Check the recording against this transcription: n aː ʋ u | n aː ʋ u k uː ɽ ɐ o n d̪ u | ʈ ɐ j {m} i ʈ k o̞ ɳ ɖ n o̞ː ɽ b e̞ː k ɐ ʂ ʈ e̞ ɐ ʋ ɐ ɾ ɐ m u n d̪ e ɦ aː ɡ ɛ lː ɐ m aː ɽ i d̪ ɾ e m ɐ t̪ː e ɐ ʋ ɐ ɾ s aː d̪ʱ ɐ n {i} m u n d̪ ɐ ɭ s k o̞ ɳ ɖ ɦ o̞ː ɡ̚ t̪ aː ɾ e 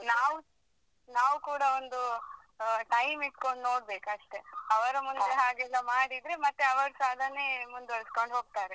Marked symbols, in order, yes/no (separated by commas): yes, no